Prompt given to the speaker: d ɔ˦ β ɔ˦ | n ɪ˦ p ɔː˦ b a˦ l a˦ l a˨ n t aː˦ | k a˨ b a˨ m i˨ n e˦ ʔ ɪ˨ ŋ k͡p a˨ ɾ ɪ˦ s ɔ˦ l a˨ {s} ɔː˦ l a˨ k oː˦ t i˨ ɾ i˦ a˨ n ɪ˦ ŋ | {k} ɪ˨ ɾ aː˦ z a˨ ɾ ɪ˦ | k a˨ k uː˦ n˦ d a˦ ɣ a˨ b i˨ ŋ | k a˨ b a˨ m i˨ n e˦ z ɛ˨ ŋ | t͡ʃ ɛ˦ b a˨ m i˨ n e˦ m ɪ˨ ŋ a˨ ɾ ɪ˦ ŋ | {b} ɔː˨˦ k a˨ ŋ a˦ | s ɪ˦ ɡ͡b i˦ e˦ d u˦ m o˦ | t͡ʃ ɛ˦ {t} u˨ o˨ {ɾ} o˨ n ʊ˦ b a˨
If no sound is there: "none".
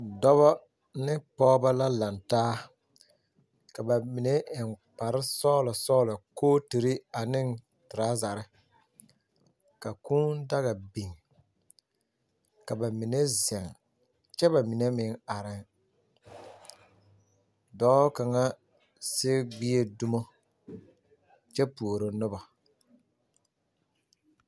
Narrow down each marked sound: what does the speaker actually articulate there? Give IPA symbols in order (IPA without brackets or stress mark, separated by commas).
s, t, d, p, ɾ